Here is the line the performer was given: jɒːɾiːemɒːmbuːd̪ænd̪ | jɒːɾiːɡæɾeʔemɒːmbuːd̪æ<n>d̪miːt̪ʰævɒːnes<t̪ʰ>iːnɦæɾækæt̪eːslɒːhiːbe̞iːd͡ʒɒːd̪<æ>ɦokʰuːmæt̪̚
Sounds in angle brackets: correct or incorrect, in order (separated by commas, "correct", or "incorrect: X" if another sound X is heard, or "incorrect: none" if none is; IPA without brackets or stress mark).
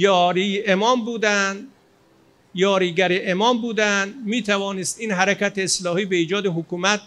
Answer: correct, incorrect: t̪, incorrect: e